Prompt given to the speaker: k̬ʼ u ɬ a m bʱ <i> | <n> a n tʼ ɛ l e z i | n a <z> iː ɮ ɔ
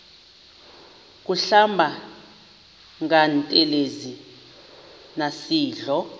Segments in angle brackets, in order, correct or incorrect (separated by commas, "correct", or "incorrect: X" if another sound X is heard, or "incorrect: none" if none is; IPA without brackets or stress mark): incorrect: a, incorrect: ŋ, incorrect: s